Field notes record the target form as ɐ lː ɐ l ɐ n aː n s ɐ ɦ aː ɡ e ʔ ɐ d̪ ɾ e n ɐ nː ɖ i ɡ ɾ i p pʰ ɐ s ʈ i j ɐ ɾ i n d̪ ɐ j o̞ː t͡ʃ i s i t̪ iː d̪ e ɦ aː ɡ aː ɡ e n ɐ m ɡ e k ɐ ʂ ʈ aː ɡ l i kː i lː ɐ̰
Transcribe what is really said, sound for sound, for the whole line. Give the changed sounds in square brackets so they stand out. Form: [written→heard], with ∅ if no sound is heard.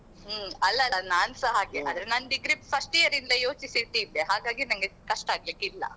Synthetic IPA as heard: ɐ lː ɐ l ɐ n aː n s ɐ ɦ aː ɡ e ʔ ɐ d̪ ɾ e n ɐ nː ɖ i ɡ ɾ i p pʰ ɐ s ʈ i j ɐ ɾ i n d̪ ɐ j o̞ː t͡ʃ i s i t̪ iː d̪ e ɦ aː ɡ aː ɡ [e→i] n ɐ [m→ŋ] ɡ e k ɐ ʂ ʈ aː ɡ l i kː i lː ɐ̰